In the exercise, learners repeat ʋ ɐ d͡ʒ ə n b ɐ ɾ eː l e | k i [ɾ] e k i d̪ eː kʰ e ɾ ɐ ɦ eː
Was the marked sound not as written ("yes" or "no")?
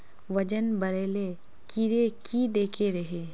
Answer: no